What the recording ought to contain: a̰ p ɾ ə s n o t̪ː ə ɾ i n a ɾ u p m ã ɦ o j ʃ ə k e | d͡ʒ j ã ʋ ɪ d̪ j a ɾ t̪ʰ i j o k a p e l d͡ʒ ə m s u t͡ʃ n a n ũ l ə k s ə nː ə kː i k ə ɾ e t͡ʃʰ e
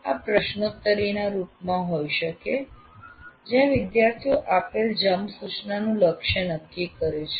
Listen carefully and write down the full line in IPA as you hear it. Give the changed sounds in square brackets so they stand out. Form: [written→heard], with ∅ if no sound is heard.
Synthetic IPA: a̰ p ɾ ə [s→ʃ] n o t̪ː ə ɾ i n a ɾ u p m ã ɦ o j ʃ ə k e | d͡ʒ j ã ʋ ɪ d̪ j a ɾ t̪ʰ i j o [k→ʔ] a p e l d͡ʒ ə m s u t͡ʃ n a n ũ l ə k [s→ʃ] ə [nː→n] ə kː i k ə ɾ e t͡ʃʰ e